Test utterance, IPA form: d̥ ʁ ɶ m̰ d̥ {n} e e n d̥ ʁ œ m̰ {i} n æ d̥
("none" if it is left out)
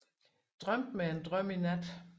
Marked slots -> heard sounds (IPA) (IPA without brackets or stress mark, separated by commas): m, i